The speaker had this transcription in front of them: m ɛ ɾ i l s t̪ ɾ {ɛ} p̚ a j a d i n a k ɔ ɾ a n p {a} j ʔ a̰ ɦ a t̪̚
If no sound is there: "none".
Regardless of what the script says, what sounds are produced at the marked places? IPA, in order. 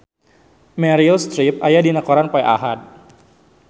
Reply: i, a

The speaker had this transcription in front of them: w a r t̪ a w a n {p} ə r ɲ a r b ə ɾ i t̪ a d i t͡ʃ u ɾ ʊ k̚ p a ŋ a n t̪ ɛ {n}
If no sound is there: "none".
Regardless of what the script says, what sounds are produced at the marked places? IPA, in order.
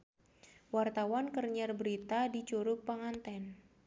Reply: k, n

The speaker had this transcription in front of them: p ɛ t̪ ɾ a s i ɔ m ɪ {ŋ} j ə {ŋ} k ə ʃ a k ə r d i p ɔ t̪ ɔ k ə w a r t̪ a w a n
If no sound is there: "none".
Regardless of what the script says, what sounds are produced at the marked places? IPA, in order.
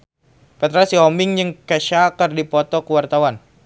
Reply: ŋ, ŋ

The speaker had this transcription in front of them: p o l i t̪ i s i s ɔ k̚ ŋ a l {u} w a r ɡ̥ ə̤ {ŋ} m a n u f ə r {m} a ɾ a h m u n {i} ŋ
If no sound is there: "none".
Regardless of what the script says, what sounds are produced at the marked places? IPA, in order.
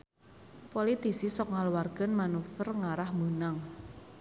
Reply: u, n, ŋ, a

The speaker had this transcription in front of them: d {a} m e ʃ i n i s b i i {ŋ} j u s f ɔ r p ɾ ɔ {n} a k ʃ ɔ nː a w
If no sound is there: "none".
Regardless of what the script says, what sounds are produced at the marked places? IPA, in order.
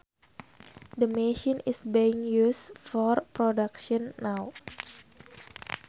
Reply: ə, ŋ, d

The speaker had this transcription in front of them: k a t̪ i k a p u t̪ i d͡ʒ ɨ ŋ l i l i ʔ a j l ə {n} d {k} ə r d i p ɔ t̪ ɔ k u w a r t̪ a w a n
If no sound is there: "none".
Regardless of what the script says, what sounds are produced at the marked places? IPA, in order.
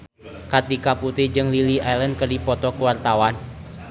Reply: n, k

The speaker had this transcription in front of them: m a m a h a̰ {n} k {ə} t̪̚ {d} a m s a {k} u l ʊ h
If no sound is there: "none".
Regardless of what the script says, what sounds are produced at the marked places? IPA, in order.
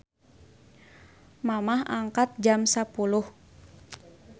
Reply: ŋ, a, d͡ʒ, p

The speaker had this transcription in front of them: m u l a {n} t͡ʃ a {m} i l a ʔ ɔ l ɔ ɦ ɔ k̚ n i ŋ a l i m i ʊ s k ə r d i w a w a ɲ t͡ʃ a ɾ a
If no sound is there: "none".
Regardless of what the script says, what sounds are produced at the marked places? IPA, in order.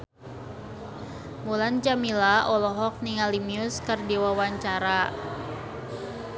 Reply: n, m

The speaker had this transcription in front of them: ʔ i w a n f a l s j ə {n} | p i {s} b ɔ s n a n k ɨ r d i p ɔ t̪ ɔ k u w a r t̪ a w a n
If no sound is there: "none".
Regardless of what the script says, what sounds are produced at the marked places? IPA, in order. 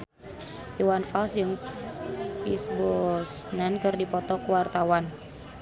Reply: ŋ, s

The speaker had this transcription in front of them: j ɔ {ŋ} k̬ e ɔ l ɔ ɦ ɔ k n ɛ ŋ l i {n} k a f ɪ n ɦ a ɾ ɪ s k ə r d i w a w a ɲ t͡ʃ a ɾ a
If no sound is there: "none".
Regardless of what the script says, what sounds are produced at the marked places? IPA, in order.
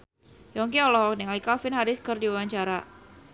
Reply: ŋ, none

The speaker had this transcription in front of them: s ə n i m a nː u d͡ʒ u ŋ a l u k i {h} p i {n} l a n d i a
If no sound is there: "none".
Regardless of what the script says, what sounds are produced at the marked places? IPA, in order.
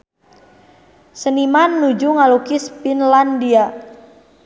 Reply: s, n

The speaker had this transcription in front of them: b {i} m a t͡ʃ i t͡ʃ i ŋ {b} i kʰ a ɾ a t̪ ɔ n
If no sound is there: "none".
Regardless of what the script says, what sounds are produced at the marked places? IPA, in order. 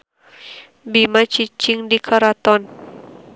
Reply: i, d

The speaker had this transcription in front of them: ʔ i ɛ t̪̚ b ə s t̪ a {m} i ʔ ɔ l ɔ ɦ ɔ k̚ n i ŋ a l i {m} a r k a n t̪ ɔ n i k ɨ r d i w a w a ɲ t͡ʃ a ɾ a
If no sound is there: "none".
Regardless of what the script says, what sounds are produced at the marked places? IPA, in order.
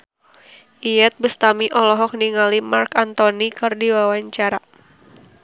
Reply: m, m

